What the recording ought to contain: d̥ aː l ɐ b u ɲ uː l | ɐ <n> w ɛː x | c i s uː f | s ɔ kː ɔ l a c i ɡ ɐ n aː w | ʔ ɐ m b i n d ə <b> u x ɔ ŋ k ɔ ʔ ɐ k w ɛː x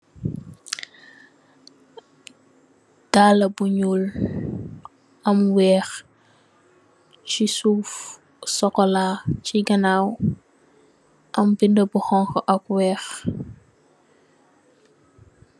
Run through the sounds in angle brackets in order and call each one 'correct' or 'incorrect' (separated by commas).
incorrect, correct